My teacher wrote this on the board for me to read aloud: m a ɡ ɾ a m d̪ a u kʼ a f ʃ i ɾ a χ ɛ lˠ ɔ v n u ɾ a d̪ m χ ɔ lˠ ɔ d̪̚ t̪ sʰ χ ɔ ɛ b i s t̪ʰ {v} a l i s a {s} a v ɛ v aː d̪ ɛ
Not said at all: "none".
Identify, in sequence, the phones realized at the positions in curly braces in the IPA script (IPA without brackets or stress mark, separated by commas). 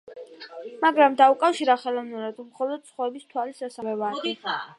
w, s